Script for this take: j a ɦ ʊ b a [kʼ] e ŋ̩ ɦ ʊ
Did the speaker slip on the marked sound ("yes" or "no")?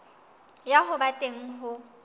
yes